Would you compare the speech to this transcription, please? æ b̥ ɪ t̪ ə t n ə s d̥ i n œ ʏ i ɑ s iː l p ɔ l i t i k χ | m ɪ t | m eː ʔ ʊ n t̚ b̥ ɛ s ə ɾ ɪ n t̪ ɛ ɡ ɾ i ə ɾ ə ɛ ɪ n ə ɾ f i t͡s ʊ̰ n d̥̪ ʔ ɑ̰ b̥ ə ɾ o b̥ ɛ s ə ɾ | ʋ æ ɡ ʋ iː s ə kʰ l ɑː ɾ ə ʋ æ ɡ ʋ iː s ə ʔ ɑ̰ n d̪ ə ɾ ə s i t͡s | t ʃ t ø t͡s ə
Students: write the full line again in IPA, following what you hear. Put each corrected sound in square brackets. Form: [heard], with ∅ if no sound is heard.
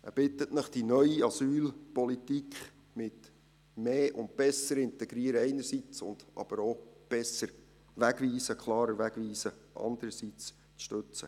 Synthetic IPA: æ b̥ ɪ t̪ ə t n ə [χ] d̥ i n œ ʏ i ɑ s [yː] l p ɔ l i t i k χ | m ɪ t | m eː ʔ ʊ n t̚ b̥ ɛ s ə ɾ ɪ n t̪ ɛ ɡ ɾ i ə ɾ ə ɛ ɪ n ə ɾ [s] i t͡s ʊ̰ n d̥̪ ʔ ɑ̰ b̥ ə ɾ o b̥ ɛ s ə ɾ | ʋ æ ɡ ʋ iː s ə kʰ l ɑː ɾ ə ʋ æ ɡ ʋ iː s ə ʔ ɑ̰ n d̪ ə ɾ ə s i t͡s | [t͡s] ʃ t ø t͡s ə